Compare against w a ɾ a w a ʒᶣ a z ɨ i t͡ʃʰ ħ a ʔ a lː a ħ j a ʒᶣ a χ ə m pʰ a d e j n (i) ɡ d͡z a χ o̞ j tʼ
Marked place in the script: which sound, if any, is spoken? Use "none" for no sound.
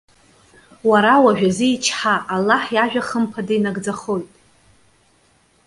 a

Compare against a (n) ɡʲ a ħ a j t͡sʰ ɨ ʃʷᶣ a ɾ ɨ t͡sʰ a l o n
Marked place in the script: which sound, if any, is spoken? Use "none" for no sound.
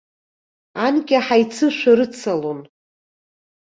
n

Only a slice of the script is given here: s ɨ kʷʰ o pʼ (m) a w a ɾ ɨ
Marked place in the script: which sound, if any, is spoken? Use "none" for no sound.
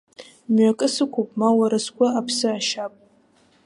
m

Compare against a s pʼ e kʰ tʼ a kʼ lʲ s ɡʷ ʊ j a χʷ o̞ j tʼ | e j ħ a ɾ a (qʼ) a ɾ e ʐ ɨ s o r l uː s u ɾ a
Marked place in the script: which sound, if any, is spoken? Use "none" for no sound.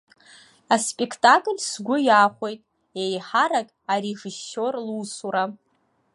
kʼ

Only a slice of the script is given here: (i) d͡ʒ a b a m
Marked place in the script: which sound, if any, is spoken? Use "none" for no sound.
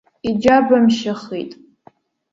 i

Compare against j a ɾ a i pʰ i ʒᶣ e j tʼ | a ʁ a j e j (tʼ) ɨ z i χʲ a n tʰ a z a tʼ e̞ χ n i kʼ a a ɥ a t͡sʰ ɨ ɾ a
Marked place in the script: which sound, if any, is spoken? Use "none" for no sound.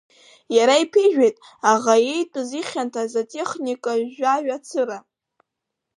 tʼ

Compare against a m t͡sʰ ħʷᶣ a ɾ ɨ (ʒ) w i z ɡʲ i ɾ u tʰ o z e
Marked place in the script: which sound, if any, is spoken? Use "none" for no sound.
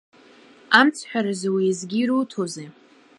z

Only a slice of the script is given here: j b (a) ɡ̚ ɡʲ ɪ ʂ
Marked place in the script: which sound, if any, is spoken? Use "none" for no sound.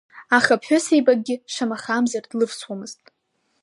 a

